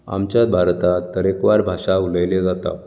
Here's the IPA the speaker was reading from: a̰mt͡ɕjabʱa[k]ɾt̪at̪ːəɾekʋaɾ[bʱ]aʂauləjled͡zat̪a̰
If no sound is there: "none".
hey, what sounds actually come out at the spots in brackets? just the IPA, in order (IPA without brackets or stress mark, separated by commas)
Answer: none, bʱ